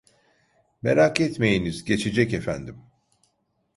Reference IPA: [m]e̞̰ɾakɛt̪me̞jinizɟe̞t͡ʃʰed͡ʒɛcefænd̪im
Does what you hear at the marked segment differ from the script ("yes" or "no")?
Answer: no